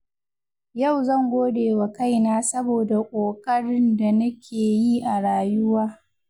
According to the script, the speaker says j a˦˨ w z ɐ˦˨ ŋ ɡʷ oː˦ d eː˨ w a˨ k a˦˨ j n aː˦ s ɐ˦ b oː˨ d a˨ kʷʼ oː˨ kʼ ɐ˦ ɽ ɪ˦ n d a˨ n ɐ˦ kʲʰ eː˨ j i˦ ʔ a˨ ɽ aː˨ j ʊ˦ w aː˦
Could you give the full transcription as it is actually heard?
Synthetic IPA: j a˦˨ w z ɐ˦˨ ŋ ɡʷ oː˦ d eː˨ w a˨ k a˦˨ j n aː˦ s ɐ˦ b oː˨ d a˨ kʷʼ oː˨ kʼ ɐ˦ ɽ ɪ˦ n d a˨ n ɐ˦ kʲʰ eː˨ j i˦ ʔ a˨ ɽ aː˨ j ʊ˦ w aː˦